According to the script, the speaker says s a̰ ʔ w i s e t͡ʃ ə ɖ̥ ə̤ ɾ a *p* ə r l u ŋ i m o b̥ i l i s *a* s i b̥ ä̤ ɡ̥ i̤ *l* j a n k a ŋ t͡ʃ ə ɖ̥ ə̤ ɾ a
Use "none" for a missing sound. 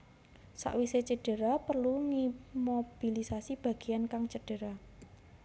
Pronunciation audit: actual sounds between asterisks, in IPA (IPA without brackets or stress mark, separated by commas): p, a, none